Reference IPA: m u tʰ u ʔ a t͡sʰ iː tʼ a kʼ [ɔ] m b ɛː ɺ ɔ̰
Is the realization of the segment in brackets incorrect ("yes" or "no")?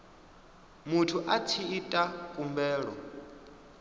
yes